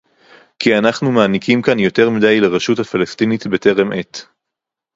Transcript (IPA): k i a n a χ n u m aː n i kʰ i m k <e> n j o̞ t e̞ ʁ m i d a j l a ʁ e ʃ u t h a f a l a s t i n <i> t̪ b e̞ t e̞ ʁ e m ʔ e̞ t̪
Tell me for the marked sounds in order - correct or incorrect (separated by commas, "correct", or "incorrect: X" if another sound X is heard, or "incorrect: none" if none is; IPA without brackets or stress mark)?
incorrect: a, correct